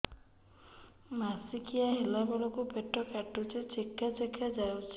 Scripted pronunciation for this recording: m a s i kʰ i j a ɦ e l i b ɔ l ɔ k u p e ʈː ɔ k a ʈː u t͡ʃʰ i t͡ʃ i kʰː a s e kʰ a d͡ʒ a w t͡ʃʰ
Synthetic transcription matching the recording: m a s i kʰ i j a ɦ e l a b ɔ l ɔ k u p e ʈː ɔ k a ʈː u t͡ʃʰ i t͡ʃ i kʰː a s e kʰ a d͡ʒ a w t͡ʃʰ